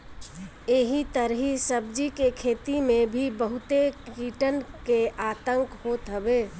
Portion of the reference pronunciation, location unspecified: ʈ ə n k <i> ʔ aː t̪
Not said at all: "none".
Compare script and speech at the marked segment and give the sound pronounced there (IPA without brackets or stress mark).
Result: e